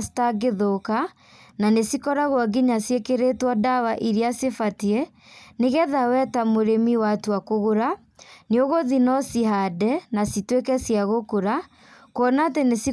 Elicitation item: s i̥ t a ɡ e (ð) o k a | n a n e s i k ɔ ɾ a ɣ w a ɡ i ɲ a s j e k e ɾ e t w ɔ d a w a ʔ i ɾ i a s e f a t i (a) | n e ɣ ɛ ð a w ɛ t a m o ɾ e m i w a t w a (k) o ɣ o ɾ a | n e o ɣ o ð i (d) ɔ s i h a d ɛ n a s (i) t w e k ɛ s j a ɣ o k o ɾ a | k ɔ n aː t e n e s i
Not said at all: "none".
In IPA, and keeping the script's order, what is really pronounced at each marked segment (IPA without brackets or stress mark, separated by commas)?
ð, ɛ, k, n, i